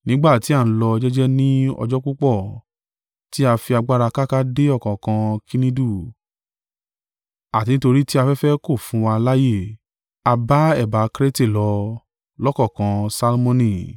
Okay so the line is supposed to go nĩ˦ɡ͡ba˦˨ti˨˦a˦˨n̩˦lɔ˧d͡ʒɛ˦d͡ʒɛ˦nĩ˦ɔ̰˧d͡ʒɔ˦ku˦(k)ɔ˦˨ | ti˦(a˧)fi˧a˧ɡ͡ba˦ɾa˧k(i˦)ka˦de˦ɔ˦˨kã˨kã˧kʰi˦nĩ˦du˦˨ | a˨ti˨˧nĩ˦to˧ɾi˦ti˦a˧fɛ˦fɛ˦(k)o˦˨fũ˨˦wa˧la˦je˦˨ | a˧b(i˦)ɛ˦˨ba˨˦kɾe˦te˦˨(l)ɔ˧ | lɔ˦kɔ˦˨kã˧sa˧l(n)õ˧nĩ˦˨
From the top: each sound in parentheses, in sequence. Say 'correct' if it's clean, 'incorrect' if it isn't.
incorrect: k͡p, correct, incorrect: a˦, correct, incorrect: a˦, correct, incorrect: m

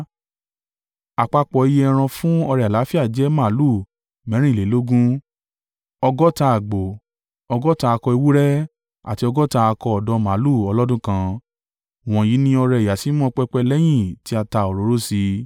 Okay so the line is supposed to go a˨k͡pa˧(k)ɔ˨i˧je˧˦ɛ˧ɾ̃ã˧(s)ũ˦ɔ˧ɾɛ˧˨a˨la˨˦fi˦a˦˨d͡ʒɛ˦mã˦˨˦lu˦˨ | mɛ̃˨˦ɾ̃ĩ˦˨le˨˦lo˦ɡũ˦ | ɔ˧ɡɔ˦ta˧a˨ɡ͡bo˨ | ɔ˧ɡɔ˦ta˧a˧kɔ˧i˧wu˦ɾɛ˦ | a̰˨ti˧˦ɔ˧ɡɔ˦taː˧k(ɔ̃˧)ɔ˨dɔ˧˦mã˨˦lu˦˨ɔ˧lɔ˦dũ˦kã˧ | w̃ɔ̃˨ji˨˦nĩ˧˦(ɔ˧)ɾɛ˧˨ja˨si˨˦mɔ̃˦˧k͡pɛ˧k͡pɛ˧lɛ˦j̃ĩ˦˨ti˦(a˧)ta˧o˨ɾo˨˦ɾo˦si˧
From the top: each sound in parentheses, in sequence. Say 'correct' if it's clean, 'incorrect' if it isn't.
incorrect: k͡p, incorrect: f, incorrect: ɔ˧, correct, correct

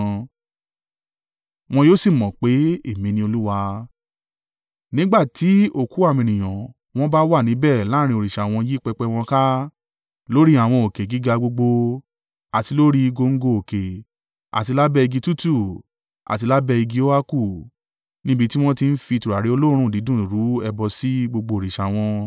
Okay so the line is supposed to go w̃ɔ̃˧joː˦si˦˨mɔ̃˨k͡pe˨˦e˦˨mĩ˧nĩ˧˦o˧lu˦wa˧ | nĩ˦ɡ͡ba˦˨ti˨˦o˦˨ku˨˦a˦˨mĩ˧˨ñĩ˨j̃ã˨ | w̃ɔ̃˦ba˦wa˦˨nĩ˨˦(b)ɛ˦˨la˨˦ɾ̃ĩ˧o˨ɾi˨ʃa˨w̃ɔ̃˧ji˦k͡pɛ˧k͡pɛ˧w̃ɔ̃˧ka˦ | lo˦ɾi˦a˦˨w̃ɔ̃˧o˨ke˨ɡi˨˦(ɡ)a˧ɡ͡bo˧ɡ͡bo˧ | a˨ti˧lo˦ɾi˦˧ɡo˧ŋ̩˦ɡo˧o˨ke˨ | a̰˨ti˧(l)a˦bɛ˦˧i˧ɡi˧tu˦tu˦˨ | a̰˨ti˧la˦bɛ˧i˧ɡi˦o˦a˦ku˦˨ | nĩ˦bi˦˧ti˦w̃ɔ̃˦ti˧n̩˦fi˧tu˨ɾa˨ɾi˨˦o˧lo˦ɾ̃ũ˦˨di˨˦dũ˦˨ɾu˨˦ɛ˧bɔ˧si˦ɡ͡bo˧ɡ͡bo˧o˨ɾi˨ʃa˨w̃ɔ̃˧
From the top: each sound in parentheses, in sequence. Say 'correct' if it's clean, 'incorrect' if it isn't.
correct, correct, correct

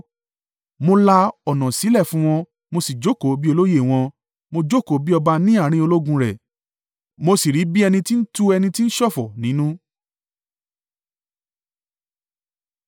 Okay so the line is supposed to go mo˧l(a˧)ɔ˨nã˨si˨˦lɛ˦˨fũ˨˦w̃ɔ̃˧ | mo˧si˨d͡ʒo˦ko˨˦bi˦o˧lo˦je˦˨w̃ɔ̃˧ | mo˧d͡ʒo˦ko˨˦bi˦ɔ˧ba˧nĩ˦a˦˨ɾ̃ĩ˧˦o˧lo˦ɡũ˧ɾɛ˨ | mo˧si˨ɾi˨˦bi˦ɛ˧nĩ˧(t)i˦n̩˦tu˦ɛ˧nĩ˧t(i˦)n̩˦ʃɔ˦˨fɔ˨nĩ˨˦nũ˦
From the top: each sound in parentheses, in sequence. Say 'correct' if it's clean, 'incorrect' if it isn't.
correct, correct, correct

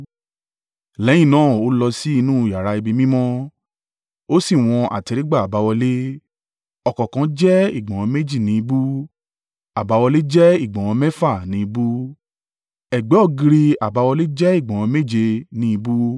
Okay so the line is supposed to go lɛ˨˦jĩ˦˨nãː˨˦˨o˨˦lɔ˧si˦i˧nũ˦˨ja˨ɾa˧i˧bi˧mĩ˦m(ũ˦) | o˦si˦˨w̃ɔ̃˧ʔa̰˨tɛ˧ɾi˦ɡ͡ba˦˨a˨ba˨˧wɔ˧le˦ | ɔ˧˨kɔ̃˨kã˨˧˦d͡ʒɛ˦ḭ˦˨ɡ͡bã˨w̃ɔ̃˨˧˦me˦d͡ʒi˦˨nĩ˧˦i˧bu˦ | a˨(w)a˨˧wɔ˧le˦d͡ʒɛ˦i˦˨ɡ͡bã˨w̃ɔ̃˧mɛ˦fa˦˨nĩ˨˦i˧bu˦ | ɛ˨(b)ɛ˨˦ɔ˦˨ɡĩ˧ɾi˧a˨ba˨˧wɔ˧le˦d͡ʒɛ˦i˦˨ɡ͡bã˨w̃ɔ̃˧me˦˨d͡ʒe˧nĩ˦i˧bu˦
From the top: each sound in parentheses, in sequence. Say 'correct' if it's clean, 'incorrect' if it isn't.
incorrect: ɔ̃˦, incorrect: b, incorrect: ɡ͡b

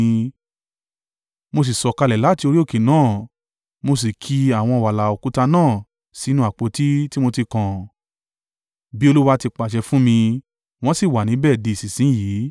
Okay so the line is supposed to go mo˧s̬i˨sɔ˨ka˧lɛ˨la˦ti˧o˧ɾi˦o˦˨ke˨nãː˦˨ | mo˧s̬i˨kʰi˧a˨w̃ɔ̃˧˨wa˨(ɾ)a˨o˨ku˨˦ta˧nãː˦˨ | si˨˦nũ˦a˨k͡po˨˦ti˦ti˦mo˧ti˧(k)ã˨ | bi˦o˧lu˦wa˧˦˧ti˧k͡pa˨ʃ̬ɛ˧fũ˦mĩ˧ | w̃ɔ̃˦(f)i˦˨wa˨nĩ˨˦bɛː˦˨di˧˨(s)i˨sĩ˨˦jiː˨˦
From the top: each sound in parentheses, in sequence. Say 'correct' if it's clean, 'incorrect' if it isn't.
incorrect: l, correct, incorrect: s, correct

